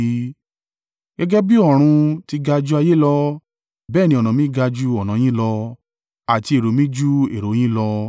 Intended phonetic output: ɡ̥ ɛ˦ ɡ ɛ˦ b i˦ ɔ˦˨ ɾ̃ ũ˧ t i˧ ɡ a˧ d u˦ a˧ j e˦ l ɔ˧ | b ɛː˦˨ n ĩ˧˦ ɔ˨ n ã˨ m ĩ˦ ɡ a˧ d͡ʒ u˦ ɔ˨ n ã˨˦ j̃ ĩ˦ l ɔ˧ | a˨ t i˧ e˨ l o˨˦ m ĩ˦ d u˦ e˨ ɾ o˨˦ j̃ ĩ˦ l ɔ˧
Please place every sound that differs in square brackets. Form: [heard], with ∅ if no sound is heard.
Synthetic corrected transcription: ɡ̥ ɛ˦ ɡ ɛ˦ b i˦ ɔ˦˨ ɾ̃ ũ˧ t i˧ ɡ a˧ [d͡ʒ] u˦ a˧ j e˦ l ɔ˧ | b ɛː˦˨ n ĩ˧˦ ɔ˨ n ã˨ m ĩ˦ ɡ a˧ d͡ʒ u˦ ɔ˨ n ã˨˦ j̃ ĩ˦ l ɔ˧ | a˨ t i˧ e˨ [ɾ] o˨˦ m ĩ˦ [d͡ʒ] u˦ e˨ ɾ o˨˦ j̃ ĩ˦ l ɔ˧